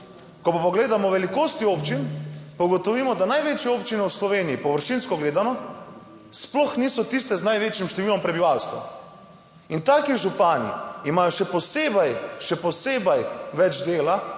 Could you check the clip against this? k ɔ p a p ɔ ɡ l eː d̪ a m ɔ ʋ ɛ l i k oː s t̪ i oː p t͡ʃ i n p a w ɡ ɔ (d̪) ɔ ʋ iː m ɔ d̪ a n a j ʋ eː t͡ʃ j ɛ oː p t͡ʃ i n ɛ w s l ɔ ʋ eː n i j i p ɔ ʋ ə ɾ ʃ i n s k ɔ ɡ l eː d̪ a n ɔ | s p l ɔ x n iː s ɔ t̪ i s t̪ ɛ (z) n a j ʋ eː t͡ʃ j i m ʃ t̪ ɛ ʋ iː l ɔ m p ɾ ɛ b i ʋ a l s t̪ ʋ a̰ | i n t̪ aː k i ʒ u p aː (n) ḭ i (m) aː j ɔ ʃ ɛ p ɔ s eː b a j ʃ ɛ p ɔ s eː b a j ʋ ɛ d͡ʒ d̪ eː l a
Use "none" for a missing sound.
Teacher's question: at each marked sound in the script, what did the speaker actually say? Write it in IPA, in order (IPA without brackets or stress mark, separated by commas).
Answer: t̪, z, n, m